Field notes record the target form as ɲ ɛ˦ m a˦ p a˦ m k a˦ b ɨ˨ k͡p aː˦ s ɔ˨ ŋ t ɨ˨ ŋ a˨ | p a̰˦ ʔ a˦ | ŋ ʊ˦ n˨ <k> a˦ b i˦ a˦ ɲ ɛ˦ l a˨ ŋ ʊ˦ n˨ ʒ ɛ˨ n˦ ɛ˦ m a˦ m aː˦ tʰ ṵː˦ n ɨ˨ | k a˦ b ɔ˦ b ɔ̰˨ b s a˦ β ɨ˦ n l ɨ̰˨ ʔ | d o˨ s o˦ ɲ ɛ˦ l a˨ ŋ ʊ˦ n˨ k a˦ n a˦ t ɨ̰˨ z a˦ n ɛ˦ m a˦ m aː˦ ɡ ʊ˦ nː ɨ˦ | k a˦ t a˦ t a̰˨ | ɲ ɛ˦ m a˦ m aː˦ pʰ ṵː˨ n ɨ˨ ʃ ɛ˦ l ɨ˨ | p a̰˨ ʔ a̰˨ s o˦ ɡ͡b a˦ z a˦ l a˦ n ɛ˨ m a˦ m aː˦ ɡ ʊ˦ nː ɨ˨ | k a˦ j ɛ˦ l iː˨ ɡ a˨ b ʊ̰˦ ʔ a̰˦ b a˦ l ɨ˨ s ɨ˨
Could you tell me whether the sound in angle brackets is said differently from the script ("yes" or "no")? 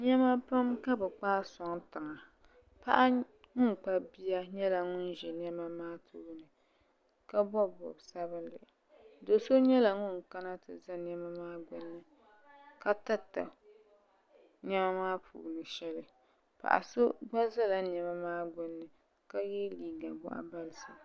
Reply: yes